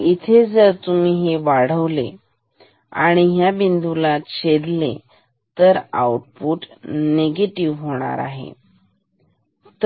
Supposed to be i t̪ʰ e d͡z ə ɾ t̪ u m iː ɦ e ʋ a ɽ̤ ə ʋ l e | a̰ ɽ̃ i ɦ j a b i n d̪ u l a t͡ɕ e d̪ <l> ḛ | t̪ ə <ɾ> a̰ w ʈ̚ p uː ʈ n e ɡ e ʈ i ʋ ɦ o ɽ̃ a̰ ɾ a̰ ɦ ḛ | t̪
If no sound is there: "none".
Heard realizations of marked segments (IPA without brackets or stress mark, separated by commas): l, ɾ